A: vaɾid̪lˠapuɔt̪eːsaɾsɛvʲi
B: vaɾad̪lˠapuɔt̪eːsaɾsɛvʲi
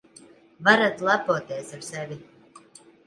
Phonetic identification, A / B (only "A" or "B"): B